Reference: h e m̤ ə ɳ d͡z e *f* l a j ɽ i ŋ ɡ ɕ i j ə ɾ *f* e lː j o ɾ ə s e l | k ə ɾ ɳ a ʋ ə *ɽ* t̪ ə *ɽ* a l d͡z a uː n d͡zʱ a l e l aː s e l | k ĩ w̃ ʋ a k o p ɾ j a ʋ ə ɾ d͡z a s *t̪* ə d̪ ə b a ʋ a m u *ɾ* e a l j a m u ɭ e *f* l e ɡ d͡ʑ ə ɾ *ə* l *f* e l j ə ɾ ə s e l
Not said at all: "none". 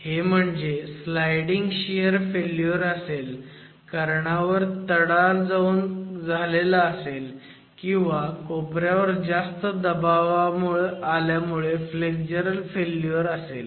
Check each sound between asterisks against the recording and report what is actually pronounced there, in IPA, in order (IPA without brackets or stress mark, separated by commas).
s, f, ɾ, ɽ, t̪, ɭ, f, ə, f